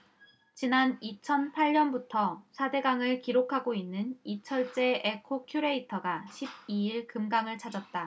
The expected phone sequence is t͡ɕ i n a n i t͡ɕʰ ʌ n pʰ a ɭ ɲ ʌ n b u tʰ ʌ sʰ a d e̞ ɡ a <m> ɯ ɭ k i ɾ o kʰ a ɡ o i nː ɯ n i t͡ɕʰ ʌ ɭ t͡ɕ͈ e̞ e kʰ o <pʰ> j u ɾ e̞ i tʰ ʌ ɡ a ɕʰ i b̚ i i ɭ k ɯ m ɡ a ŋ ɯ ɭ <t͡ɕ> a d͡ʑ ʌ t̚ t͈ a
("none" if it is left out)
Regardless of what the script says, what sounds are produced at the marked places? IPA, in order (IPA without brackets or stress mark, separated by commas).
ŋ, kʰ, t͡ɕʰ